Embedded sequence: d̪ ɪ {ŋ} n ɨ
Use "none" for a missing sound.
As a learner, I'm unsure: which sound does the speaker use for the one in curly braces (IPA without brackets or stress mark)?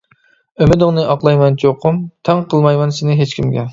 ŋ